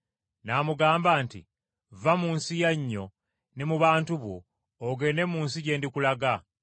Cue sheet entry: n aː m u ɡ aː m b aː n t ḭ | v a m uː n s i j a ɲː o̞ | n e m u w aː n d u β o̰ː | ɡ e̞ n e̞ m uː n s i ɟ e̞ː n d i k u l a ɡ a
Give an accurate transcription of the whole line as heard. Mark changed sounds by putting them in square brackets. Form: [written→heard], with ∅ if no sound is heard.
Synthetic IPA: n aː m u ɡ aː m b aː n t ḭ | v a m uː n s i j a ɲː o̞ | n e m u [w→β] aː n [d→t] u β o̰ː | ɡ e̞ n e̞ m uː n s i ɟ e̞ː n d i k u l a ɡ a